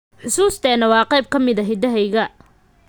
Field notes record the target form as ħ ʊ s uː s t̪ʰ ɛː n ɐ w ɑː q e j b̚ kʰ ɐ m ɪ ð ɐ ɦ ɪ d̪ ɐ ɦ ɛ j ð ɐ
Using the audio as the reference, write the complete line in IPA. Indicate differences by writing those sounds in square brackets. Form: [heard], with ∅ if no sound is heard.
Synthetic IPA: ħ ʊ s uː s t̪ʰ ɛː n ɐ w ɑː q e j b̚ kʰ ɐ m ɪ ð ɐ ɦ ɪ d̪ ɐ ɦ ɛ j [ɣ] ɐ

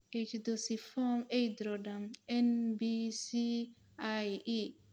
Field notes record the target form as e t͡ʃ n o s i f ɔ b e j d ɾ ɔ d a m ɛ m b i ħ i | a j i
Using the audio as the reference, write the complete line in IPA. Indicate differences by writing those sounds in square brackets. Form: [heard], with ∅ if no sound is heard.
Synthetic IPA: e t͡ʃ [d] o s i f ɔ [m] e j d ɾ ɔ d a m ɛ [n] b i [s] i | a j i

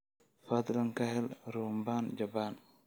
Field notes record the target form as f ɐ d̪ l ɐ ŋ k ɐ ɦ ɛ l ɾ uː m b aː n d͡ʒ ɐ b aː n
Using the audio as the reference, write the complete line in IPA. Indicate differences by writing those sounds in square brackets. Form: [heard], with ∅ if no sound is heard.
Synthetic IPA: f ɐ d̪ l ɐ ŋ k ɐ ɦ ɛ l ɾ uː m b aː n d͡ʒ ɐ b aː n

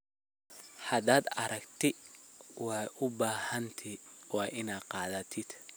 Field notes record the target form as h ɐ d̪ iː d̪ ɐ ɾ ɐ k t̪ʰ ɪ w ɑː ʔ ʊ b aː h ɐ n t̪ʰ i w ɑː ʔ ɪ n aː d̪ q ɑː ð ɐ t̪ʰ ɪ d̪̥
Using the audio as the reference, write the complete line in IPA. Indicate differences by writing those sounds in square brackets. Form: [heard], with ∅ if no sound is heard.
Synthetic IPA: h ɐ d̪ [aː] d̪ ɐ ɾ ɐ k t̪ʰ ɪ w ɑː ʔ ʊ b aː h ɐ n t̪ʰ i w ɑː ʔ ɪ n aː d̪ q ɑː ð ɐ t̪ʰ ɪ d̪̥

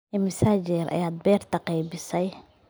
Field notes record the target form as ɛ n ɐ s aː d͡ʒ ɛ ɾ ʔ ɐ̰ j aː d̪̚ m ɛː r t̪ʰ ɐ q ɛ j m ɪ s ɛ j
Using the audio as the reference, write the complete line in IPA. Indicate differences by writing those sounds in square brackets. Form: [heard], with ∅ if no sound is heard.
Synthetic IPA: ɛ [m] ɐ s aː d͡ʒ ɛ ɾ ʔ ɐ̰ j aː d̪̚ [b] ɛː r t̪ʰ ɐ q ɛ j [b] ɪ s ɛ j

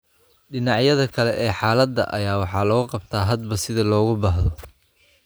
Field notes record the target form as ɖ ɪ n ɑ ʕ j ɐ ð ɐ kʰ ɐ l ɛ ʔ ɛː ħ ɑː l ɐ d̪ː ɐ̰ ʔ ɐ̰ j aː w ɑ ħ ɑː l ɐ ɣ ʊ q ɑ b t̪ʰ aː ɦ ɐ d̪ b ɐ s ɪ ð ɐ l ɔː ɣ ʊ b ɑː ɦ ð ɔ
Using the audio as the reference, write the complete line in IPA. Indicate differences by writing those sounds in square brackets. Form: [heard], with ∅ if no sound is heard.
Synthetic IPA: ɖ ɪ n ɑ ʕ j ɐ ð ɐ kʰ ɐ l ɛ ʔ ɛː ħ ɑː l ɐ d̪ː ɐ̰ ʔ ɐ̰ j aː w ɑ ħ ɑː l ɐ ɣ ʊ q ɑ b t̪ʰ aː ɦ ɐ d̪ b ɐ s ɪ ð ɐ l ɔː ɣ ʊ b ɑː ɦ ð ɔ

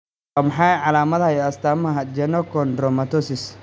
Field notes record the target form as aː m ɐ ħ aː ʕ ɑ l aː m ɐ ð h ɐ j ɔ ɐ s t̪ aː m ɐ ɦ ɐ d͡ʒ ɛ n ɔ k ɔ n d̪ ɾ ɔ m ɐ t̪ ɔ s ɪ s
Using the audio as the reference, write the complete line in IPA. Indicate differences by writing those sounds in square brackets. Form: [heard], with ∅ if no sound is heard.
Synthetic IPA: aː m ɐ ħ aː ʕ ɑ l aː m ɐ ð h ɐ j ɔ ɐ s t̪ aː m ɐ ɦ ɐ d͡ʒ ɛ n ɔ k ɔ n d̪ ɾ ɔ m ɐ t̪ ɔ s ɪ s

